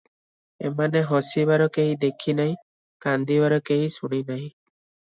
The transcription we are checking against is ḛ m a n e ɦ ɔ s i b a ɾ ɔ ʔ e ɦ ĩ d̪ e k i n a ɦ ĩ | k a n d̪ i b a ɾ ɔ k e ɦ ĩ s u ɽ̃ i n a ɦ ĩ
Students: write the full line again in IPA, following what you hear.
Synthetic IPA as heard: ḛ m a n e ɦ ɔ s i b a ɾ ɔ k e ɦ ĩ d̪ e kʰ i n a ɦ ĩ | k a n d̪ i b a ɾ ɔ k e ɦ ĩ s u ɽ̃ i n a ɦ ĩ